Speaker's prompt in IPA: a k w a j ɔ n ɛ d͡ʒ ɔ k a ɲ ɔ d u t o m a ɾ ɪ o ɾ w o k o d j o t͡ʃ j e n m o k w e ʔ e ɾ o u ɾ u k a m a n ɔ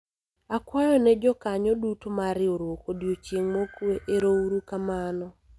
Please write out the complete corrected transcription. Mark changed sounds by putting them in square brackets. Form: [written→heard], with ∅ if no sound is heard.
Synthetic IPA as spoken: a k w a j ɔ n ɛ d͡ʒ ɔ k a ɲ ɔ d u t o m a ɾ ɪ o ɾ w o k o d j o t͡ʃ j e [n→ŋ] m o k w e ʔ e ɾ o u ɾ u k a m a n ɔ